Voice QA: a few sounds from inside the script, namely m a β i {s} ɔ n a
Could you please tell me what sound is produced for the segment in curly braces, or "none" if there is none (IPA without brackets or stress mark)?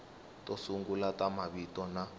t